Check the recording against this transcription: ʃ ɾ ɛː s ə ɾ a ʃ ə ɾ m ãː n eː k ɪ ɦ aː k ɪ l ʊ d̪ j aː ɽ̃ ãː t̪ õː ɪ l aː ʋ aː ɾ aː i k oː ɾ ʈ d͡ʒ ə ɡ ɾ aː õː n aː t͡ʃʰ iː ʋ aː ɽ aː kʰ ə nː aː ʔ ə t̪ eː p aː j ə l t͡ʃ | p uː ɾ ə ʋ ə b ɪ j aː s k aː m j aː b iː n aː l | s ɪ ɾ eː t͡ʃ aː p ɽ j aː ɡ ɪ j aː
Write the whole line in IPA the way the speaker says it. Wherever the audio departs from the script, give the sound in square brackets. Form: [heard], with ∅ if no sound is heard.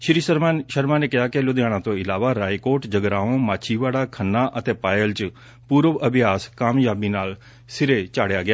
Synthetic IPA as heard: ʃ ɾ [iː] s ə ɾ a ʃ ə ɾ m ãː n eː k ɪ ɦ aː k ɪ l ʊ d̪ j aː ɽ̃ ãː t̪ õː ɪ l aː ʋ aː ɾ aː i k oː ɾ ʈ d͡ʒ ə ɡ ɾ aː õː [m] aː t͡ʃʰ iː ʋ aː ɽ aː kʰ ə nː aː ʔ ə t̪ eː p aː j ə l t͡ʃ | p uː ɾ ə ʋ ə b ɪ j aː s k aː m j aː b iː n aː l | s ɪ ɾ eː t͡ʃ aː [∅] ɽ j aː ɡ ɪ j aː

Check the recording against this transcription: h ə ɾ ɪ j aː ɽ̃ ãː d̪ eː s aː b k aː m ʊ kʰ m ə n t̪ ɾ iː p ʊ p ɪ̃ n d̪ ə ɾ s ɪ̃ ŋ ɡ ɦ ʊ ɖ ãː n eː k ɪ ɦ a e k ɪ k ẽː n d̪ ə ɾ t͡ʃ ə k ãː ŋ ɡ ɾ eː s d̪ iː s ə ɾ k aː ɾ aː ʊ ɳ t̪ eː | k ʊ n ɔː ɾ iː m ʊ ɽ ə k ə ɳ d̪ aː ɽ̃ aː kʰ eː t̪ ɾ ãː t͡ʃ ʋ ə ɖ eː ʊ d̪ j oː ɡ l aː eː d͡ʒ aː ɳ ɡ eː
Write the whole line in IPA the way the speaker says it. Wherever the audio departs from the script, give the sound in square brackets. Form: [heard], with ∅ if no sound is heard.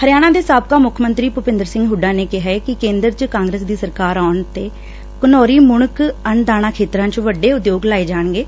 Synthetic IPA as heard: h ə ɾ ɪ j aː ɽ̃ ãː d̪ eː s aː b k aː m ʊ kʰ m ə n t̪ ɾ iː p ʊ p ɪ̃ n d̪ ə ɾ s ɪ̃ ŋ ɡ ɦ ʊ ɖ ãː n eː k ɪ ɦ a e k ɪ k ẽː n d̪ ə ɾ t͡ʃ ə k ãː ŋ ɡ ɾ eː s d̪ iː s ə ɾ k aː ɾ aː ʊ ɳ t̪ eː | k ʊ n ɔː ɾ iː m ʊ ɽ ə k ə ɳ d̪ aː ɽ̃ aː kʰ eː t̪ ɾ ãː t͡ʃ ʋ ə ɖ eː ʊ d̪ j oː ɡ l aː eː d͡ʒ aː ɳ ɡ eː

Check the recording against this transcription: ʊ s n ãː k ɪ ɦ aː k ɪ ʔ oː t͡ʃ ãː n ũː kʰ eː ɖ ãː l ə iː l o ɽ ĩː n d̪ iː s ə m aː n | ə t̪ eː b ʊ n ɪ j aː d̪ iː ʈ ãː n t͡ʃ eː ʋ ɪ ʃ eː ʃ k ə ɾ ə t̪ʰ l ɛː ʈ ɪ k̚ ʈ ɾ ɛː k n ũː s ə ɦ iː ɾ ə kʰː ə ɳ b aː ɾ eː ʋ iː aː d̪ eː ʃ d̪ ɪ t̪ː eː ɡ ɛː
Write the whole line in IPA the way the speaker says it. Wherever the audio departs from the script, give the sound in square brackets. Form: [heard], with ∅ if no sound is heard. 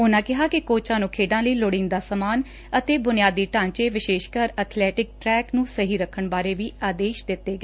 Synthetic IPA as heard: ʊ [∅] n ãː k ɪ ɦ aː k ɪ [k] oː t͡ʃ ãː n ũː kʰ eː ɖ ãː l ə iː l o ɽ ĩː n d̪ [aː] s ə m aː n | ə t̪ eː b ʊ n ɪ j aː d̪ iː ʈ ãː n t͡ʃ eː ʋ ɪ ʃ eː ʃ k ə ɾ ə t̪ʰ l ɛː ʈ ɪ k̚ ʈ ɾ ɛː k n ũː s ə ɦ iː ɾ ə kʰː ə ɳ b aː ɾ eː ʋ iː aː d̪ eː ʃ d̪ ɪ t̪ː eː ɡ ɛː

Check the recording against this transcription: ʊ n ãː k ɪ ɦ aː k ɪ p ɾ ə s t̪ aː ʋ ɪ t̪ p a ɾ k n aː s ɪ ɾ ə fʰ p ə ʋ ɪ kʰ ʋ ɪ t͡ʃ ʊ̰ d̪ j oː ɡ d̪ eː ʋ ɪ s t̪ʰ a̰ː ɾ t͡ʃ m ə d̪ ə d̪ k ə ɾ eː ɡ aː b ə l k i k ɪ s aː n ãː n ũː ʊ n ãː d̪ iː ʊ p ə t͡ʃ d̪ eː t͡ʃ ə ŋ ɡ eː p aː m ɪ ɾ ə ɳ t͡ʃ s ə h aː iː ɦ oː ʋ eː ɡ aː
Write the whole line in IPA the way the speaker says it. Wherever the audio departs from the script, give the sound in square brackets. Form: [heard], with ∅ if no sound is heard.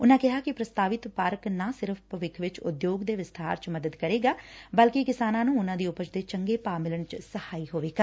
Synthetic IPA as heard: ʊ n ãː k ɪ ɦ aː k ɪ p ɾ ə s t̪ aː ʋ ɪ t̪ p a ɾ k n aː s ɪ ɾ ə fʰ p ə ʋ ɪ kʰ ʋ ɪ t͡ʃ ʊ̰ d̪ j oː ɡ d̪ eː ʋ ɪ s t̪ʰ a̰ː ɾ t͡ʃ m ə d̪ ə d̪ k ə ɾ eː ɡ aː b ə l k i k ɪ s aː n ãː n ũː ʊ n ãː d̪ iː ʊ p ə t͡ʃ d̪ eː t͡ʃ ə ŋ ɡ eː p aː m ɪ [l] ə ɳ t͡ʃ s ə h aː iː ɦ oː ʋ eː ɡ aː

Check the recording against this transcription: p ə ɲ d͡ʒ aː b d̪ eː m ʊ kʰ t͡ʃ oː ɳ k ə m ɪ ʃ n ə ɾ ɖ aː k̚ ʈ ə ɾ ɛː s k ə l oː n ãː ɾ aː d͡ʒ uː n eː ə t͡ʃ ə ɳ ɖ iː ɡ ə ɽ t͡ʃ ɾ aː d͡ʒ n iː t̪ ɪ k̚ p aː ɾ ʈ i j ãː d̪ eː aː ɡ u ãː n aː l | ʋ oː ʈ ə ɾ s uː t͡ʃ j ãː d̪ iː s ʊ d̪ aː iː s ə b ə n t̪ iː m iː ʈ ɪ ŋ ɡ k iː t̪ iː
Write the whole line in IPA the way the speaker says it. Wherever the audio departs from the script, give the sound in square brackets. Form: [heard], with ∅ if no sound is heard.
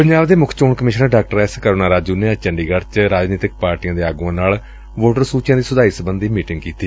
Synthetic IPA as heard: p ə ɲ d͡ʒ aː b d̪ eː m ʊ kʰ t͡ʃ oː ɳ k ə m ɪ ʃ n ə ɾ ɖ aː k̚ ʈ ə ɾ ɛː s k ə [ɾ] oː n [aː] ɾ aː d͡ʒ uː n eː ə t͡ʃ ə ɳ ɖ iː ɡ ə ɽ t͡ʃ ɾ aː d͡ʒ n iː t̪ ɪ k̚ p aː ɾ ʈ i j ãː d̪ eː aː ɡ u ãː n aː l | ʋ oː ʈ ə ɾ s uː t͡ʃ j ãː d̪ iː s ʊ d̪ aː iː s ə b ə n [d̪] iː m iː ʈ ɪ ŋ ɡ k iː t̪ iː

